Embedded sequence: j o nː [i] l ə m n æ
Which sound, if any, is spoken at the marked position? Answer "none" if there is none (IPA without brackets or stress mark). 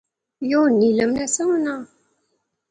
i